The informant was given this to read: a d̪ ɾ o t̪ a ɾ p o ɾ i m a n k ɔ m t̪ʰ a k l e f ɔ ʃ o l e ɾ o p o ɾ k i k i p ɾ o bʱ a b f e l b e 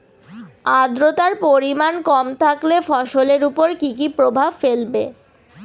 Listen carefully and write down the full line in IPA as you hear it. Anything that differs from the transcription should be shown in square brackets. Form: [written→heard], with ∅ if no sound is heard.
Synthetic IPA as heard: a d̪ ɾ o t̪ a ɾ p o ɾ i m a n k ɔ m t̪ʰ a k l e f ɔ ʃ o l e ɾ [o→u] p o ɾ k i k i p ɾ o bʱ a b f e l b e